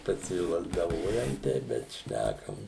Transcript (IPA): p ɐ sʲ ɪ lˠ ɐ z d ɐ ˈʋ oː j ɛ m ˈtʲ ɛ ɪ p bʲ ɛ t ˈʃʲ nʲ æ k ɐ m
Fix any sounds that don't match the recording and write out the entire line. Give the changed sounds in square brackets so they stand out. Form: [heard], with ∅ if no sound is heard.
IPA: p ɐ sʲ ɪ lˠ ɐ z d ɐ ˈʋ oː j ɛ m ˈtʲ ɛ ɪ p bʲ ɛ t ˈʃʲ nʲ æ k ɐ m